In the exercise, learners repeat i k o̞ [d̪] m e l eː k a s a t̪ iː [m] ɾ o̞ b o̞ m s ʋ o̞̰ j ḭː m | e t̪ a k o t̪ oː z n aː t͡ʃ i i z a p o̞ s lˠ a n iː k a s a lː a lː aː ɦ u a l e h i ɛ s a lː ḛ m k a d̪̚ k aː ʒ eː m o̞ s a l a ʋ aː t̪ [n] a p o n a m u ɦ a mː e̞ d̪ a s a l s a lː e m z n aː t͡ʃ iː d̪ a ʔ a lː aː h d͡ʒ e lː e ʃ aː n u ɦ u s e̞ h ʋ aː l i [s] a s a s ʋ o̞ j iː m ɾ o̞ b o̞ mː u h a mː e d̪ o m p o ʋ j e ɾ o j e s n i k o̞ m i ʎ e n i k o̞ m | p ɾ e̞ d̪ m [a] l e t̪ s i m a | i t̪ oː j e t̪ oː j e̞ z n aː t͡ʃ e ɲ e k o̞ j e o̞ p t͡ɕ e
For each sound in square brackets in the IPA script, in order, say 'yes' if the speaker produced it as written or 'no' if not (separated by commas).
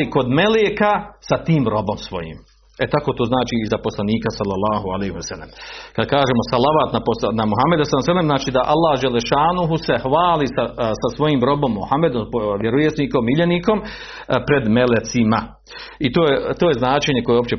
yes, yes, yes, yes, no